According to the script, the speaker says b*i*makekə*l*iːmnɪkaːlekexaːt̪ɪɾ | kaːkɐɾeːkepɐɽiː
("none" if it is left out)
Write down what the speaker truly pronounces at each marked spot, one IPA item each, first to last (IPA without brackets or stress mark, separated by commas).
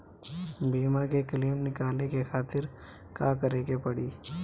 iː, l